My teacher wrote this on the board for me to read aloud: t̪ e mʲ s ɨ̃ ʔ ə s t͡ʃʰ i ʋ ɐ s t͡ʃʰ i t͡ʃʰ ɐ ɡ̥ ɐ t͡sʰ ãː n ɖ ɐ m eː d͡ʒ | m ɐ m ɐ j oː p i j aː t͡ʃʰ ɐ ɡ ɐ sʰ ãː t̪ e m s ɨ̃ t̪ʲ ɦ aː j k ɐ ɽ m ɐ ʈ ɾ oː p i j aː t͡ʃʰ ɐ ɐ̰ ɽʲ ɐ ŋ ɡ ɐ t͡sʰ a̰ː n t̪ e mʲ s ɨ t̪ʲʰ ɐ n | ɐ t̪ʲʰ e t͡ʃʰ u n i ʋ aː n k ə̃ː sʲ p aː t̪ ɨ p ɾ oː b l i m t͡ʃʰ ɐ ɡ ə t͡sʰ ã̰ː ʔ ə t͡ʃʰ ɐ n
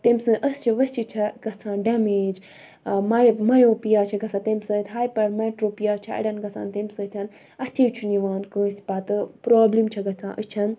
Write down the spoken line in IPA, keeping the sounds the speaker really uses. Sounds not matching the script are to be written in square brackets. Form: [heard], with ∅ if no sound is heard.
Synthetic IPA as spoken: t̪ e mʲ s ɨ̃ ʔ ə s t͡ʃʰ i ʋ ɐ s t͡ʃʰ i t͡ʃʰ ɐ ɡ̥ ɐ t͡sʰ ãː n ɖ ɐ m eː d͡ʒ | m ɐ m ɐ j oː p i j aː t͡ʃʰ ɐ ɡ ɐ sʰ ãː t̪ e m s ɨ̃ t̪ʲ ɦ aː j [p] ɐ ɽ m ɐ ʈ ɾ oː p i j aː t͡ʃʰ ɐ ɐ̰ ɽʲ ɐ [n] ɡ ɐ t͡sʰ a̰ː n t̪ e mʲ s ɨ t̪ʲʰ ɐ n | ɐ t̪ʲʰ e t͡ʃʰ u n i ʋ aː n k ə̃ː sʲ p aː t̪ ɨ p ɾ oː b l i m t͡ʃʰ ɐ ɡ [ɐ] t͡sʰ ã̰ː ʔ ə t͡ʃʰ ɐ n